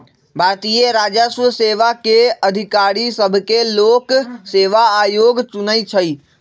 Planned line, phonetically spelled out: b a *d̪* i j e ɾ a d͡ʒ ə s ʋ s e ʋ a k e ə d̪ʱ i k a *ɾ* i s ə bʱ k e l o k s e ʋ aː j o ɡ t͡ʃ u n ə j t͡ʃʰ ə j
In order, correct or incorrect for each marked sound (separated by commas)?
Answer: incorrect, correct